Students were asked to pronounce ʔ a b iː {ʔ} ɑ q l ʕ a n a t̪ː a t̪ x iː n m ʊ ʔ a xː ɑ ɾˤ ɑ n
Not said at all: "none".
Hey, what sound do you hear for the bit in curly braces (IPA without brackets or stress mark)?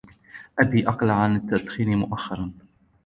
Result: ʔ